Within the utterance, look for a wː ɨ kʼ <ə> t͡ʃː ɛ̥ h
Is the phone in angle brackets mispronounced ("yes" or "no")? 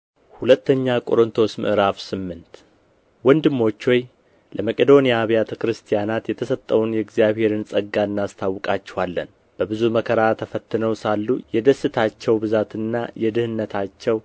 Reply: yes